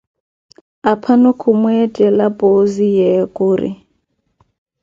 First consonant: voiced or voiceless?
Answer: voiceless